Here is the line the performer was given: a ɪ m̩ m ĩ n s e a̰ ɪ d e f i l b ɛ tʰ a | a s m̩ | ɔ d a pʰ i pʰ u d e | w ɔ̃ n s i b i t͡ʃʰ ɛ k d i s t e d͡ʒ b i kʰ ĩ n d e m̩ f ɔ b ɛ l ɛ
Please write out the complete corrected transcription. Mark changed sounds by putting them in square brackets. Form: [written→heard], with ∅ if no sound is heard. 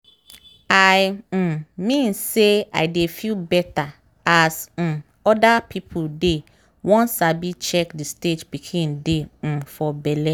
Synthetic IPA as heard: a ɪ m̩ m ĩ n s e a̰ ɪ d e f i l b ɛ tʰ a | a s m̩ | ɔ d a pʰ i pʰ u d e | w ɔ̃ n s [i→a] b i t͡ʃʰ ɛ k d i s t e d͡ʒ b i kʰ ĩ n d e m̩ f ɔ b ɛ l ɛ

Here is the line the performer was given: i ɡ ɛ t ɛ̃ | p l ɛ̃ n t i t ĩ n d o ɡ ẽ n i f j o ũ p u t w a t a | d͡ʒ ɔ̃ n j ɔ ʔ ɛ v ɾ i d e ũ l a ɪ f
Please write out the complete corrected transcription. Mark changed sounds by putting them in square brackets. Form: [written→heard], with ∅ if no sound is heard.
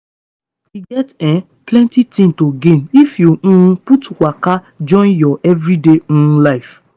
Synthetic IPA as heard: i ɡ ɛ t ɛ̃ | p l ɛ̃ n t i t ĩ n [d→t] o ɡ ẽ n i f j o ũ p u t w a [t→k] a | d͡ʒ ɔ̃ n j ɔ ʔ ɛ v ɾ i d e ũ l a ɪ f

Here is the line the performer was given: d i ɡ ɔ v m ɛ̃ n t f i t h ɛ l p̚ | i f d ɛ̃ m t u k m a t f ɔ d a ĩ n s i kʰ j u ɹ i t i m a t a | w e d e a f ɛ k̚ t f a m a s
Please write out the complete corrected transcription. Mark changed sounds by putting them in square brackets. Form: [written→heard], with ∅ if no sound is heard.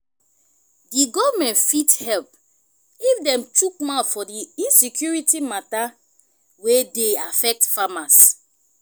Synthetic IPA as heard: d i ɡ ɔ v m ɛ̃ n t f i t h ɛ l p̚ | i f d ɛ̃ m t u k m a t f ɔ d [a→i] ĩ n s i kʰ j u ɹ i t i m a t a | w e d e a f ɛ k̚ t f a m a s

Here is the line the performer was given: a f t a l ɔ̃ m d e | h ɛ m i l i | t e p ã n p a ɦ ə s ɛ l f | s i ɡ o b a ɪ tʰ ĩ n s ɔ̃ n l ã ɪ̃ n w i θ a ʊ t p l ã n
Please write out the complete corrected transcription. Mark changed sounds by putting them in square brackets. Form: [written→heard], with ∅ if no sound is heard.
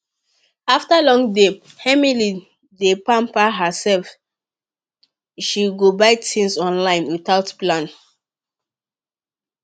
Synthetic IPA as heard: a f t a l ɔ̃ [m→ŋ] d e | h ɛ m i l i | [t→d] e p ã [n→m] p a ɦ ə s ɛ l f | [s→ʃ] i ɡ o b a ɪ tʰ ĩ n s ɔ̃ n l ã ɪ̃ n w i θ a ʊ t p l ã n

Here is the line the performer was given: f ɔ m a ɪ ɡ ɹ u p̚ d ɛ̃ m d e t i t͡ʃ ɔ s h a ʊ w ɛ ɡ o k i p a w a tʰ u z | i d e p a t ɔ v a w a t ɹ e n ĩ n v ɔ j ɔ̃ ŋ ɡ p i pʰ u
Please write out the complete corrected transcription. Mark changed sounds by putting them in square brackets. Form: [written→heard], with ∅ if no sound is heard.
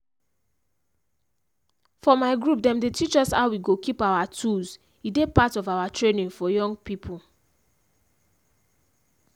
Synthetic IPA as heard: f ɔ m a ɪ ɡ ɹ u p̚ d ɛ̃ m d e t i t͡ʃ ɔ s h a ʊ w [ɛ→i] ɡ o k i p a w a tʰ u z | i d e p a t ɔ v a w a t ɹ e n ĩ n [v→f] ɔ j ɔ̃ ŋ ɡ p i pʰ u

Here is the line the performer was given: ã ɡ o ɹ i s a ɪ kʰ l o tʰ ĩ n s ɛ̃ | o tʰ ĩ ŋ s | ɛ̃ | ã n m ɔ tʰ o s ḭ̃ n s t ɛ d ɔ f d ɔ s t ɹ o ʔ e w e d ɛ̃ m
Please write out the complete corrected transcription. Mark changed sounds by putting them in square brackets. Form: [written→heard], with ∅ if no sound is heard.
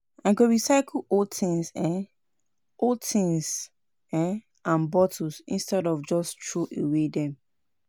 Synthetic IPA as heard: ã ɡ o ɹ i s a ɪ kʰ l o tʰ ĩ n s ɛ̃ | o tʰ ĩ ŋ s | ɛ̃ | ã n [m→b] ɔ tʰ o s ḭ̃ n s t ɛ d ɔ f [d→d͡ʒ] ɔ s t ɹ o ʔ e w e d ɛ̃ m

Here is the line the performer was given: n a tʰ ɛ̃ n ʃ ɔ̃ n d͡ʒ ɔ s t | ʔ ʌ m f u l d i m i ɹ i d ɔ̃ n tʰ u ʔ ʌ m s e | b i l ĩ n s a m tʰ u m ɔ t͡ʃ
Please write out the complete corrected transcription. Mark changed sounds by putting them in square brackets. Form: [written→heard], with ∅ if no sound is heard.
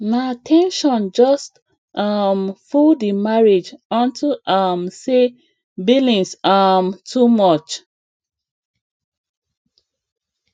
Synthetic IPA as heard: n a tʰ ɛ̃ n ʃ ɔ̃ n d͡ʒ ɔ s t | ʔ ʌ m f u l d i m [i→a] ɹ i [d→d͡ʒ] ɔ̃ n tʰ u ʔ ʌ m s e | b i l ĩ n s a m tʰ u m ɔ t͡ʃ

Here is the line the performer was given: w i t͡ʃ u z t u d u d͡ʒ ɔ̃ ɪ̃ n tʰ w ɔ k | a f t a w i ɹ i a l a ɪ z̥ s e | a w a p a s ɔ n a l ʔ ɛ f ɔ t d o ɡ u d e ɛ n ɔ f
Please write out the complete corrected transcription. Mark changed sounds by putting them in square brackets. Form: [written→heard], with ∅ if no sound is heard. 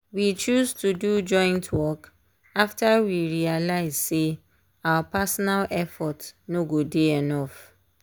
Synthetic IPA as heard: w i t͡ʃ u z t u d u d͡ʒ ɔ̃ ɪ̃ n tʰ w ɔ k | a f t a w i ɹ i a l a ɪ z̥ s e | a w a p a s ɔ n a l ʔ ɛ f ɔ t [d→n] o ɡ [u→o] d e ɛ n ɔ f

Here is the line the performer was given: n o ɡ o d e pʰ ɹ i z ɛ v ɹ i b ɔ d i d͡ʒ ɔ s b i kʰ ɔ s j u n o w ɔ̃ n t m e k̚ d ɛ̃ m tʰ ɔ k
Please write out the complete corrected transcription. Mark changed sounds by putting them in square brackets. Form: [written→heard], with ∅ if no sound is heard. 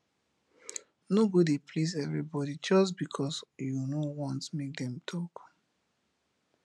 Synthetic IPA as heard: n o ɡ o d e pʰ [ɹ→l] i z ɛ v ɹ i b ɔ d i d͡ʒ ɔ s b i kʰ ɔ s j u n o w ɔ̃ n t m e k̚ d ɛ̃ m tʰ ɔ k

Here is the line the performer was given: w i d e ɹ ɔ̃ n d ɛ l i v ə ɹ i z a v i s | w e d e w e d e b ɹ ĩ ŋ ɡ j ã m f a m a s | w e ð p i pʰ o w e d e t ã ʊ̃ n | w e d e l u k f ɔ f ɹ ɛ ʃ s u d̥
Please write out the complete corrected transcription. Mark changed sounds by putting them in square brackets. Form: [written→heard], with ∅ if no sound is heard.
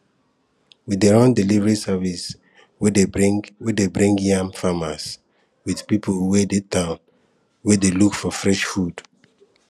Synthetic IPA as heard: w i d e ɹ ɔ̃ n d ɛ l i v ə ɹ i [z→s] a v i s | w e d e w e d e b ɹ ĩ ŋ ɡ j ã m f a m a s | w [e→i] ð p i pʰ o w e d e t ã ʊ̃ n | w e d e l u k f ɔ f ɹ ɛ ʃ [s→f] u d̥

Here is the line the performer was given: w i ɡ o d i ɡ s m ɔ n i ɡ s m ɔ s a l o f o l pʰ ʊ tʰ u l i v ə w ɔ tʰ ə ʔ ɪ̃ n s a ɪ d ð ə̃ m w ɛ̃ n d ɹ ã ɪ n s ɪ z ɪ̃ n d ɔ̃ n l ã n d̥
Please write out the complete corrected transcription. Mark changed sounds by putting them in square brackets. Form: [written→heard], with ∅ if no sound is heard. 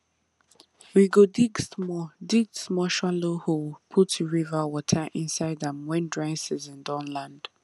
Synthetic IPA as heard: w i ɡ o d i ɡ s m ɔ [n→d] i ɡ s m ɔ [s→ʃ] a l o [f→h] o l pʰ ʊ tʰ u [l→ɹ] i v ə w ɔ tʰ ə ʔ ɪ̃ n s a ɪ d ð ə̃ m w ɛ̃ n d ɹ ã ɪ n s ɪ z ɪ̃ n d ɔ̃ n l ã n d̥

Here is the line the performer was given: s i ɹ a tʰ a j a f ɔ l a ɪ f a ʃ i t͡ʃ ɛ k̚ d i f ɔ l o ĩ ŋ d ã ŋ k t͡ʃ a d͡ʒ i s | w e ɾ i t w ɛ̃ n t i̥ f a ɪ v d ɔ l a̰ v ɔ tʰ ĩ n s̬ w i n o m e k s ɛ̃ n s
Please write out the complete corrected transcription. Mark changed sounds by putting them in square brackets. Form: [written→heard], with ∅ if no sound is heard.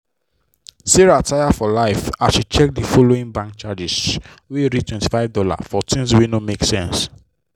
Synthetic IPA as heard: s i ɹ a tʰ a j a f ɔ l a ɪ f a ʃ i t͡ʃ ɛ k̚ d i f ɔ l o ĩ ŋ [d→b] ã ŋ k t͡ʃ a d͡ʒ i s | w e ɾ i t w ɛ̃ n t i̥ f a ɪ v d ɔ l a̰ [v→f] ɔ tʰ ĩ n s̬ w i n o m e k s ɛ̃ n s

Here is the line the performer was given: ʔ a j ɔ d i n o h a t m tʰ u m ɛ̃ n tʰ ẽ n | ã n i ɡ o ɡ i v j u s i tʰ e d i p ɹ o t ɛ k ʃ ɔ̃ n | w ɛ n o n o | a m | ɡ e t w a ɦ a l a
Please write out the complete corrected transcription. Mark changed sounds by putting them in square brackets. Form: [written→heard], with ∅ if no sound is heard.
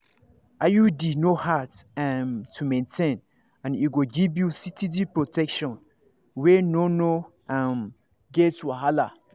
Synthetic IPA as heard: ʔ a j [ɔ→u] d i n o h a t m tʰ u m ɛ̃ n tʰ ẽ n | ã n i ɡ o ɡ i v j u s i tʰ [e→i] d i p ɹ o t ɛ k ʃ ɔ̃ n | w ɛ n o n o | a m | ɡ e t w a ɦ a l a

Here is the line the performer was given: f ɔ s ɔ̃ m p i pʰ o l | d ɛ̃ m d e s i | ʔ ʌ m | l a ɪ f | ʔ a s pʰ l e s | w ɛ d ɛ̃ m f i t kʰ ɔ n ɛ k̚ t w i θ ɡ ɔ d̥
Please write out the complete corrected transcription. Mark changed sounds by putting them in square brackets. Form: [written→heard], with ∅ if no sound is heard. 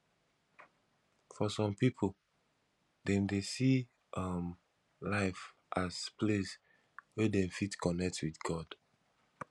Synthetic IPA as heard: f ɔ s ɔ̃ m p i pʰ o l | d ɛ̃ m d e s i | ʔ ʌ m | l a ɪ f | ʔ a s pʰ l e s | w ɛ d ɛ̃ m f i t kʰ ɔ n ɛ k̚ t w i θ ɡ ɔ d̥

